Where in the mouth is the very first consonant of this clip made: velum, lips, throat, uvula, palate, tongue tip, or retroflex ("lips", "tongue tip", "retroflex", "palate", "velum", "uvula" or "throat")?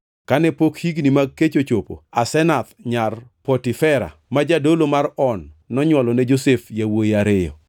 velum